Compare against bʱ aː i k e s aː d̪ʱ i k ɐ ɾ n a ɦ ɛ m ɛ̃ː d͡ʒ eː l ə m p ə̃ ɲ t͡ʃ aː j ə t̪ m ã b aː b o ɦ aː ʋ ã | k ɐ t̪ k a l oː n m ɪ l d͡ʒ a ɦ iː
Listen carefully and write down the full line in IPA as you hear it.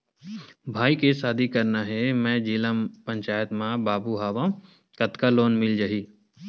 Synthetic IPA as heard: bʱ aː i k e s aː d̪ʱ i k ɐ ɾ n a ɦ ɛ m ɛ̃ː d͡ʒ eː l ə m p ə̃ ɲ t͡ʃ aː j ə t̪ m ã b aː b u ɦ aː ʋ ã | k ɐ t̪ k a l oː n m ɪ l d͡ʒ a ɦ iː